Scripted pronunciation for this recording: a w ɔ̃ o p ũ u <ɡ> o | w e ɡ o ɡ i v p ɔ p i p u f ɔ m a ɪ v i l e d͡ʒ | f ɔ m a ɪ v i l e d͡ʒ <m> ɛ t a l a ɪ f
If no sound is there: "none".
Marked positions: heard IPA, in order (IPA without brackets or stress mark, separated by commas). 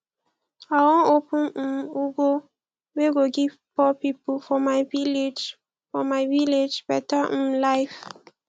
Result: ɡ, b